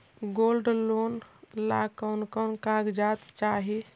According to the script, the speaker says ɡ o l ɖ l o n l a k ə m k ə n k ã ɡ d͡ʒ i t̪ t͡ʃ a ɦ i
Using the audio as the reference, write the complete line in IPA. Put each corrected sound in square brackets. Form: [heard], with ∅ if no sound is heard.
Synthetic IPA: ɡ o l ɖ l o n l a k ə [n] k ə n k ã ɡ d͡ʒ [a] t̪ t͡ʃ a ɦ i